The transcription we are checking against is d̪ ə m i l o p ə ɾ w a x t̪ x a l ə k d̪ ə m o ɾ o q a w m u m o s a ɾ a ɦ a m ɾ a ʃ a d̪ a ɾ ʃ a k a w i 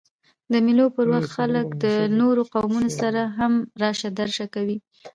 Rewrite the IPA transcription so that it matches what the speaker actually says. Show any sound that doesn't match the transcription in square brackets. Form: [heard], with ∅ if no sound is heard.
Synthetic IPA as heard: d̪ ə m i l o p ə ɾ w a x t̪ x a l ə k d̪ ə [n] o ɾ o q a w m u [n] o s a ɾ a ɦ a m ɾ [ɑ] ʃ a d̪ a ɾ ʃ a k a w i